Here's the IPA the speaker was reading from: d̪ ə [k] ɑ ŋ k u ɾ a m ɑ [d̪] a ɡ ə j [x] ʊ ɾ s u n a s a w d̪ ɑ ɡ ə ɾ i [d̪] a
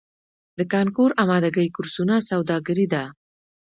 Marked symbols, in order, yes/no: yes, yes, no, yes

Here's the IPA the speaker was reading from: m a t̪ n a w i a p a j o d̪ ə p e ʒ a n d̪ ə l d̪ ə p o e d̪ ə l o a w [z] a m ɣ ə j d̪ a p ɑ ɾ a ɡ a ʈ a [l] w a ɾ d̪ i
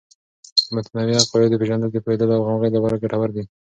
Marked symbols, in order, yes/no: no, no

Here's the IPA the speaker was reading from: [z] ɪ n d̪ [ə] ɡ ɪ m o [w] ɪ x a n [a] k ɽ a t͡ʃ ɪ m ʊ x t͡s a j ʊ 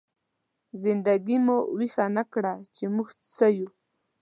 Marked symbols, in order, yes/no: yes, no, yes, yes

